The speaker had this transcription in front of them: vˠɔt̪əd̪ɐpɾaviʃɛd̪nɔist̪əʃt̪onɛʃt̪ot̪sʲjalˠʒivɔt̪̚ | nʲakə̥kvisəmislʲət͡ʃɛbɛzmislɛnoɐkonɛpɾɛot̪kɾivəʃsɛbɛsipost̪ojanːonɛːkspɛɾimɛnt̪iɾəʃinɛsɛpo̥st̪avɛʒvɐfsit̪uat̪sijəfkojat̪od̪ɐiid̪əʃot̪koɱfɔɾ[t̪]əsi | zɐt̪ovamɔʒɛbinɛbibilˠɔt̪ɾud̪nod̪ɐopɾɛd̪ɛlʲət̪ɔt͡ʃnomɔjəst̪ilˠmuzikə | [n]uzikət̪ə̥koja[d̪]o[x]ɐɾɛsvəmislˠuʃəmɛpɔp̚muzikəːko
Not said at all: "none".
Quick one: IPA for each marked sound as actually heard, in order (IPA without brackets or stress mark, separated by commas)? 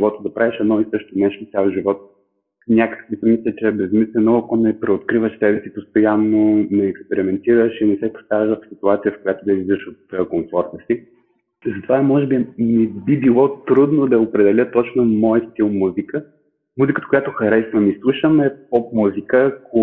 t̪, m, t̪, x